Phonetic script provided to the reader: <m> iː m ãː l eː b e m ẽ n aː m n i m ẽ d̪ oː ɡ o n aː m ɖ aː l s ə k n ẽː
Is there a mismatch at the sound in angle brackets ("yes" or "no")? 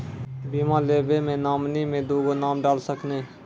yes